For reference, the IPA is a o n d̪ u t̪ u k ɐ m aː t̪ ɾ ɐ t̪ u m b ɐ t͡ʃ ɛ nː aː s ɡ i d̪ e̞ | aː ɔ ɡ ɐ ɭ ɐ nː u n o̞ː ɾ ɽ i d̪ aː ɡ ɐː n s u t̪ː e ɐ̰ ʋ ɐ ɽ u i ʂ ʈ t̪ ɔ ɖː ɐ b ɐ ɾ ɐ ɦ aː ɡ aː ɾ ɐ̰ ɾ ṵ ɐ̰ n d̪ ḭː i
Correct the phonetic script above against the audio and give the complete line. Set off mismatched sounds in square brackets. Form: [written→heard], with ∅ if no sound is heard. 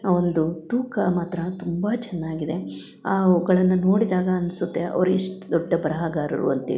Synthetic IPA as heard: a o n d̪ u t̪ [u→uː] k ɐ m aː t̪ ɾ ɐ t̪ u m b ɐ t͡ʃ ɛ nː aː [s→∅] ɡ i d̪ e̞ | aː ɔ ɡ ɐ ɭ ɐ nː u n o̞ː [ɾ→∅] ɽ i d̪ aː ɡ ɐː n s u t̪ː e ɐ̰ ʋ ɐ [ɽ→ɾ] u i ʂ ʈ [t̪→d̪] ɔ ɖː ɐ b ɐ ɾ ɐ ɦ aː ɡ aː ɾ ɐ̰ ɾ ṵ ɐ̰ n [d̪→t̪] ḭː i